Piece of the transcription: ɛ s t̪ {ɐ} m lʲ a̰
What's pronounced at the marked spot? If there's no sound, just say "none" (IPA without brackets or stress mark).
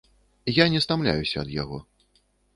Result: a